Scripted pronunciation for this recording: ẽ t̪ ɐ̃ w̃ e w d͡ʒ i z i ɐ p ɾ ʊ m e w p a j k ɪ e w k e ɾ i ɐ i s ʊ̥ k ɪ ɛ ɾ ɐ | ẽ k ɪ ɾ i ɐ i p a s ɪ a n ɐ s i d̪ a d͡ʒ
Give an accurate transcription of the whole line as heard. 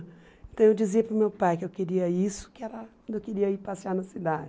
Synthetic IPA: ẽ t̪ ɐ̃ w̃ e w d͡ʒ i z i ɐ p ɾ ʊ m e w p a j k ɪ e w k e ɾ i ɐ i s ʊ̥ k ɪ ɛ ɾ ɐ | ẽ k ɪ ɾ i ɐ i p a s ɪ a n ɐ s i d̪ a d͡ʒ